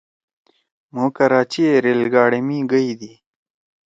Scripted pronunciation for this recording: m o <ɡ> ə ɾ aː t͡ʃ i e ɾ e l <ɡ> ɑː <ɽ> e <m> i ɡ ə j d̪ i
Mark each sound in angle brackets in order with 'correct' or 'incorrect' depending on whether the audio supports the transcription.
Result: incorrect: k, correct, correct, correct

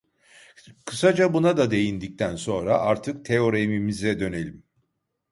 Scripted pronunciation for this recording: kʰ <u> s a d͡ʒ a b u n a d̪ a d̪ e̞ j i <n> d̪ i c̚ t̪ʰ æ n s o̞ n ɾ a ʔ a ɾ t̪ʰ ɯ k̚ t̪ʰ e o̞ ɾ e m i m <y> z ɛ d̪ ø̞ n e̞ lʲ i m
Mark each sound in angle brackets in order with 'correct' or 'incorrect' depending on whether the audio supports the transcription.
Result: incorrect: ɯ, correct, incorrect: i

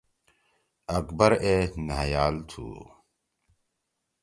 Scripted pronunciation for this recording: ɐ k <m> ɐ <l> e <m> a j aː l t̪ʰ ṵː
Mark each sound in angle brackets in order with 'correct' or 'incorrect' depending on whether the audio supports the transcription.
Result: incorrect: b, incorrect: ɾ, incorrect: n

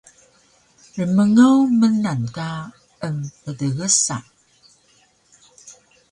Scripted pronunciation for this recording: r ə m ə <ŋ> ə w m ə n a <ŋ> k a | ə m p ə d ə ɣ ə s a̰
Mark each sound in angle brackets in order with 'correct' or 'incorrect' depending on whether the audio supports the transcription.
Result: correct, incorrect: n

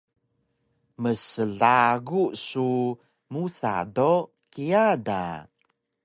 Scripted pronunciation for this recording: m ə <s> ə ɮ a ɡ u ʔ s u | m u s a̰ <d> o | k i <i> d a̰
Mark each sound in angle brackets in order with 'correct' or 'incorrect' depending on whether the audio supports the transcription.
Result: correct, correct, incorrect: a

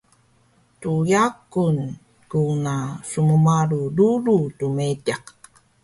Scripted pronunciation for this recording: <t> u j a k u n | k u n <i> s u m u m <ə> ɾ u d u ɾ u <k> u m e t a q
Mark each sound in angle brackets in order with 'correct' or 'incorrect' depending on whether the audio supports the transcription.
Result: correct, incorrect: a, incorrect: a, incorrect: t

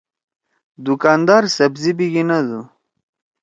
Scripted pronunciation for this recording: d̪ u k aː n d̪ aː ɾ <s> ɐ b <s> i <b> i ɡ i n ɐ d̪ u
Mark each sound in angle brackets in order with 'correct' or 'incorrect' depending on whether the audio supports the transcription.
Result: correct, incorrect: z, correct

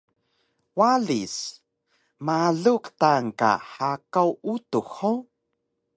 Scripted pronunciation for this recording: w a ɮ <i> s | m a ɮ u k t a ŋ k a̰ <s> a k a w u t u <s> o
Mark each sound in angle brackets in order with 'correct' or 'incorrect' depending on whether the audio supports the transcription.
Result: correct, incorrect: ħ, incorrect: x

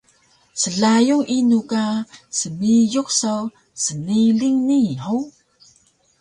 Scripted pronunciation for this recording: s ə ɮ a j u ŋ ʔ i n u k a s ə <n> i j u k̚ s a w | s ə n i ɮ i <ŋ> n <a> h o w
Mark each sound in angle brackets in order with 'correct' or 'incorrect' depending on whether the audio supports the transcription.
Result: incorrect: m, correct, incorrect: i

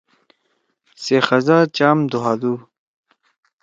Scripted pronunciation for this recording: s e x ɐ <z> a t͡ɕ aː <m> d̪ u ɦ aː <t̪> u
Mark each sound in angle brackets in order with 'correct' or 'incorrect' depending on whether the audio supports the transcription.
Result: correct, correct, incorrect: d̪

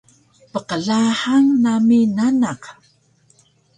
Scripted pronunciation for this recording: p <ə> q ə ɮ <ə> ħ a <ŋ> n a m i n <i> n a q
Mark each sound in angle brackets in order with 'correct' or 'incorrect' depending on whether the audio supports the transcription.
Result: correct, incorrect: a, correct, incorrect: a

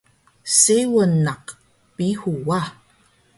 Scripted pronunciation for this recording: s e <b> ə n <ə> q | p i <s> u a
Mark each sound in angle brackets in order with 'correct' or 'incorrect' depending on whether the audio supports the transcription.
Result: incorrect: w, incorrect: a, incorrect: h

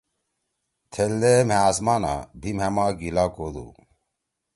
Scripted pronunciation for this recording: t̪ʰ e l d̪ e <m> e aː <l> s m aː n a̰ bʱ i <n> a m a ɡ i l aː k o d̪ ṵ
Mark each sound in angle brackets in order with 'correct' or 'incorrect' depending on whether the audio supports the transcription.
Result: correct, incorrect: none, incorrect: m

